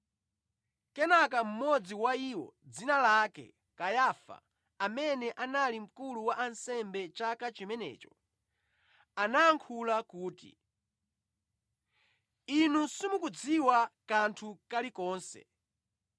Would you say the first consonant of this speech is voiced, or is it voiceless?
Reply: voiceless